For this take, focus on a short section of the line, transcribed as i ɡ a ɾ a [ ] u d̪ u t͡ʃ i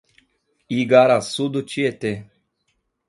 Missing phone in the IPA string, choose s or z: s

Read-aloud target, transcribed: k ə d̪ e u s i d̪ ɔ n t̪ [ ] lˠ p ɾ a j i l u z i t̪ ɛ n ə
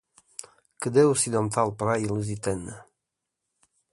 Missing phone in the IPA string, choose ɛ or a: a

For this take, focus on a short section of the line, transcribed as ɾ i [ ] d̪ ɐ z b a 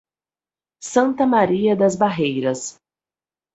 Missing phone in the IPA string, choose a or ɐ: ɐ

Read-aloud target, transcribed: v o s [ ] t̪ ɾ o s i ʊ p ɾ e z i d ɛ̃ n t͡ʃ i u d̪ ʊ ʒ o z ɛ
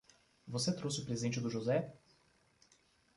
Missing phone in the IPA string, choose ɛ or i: ɛ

